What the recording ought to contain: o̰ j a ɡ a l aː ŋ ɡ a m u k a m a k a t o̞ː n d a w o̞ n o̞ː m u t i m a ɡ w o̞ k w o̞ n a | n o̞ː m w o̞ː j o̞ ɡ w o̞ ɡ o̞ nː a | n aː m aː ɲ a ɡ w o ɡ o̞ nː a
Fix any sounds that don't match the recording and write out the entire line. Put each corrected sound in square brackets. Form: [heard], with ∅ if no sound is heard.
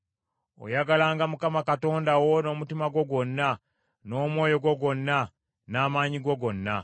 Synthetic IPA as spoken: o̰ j a ɡ a l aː ŋ ɡ a m u k a m a k a t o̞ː n d a w o̞ n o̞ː m u t i m a ɡ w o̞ [ɡ] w o̞ [nː] a | n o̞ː m w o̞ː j o̞ ɡ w o̞ ɡ o̞ nː a | n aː m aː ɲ [i] ɡ w o ɡ o̞ nː a